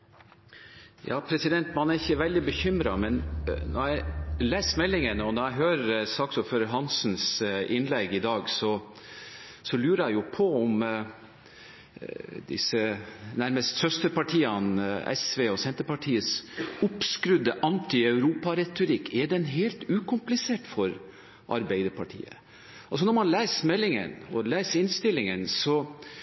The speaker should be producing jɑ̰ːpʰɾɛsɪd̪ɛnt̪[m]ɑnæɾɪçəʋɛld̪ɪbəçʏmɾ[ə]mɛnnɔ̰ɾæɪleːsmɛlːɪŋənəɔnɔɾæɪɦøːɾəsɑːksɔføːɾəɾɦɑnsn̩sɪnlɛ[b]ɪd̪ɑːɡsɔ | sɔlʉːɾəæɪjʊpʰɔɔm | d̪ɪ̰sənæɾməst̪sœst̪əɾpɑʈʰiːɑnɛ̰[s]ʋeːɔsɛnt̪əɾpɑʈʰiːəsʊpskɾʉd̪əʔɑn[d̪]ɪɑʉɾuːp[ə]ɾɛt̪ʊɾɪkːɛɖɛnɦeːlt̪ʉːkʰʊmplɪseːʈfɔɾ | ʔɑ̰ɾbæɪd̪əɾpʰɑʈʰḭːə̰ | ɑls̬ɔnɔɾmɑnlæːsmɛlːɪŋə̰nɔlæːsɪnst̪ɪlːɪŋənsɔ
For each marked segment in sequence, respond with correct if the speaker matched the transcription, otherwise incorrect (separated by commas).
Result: correct, incorrect, incorrect, correct, incorrect, incorrect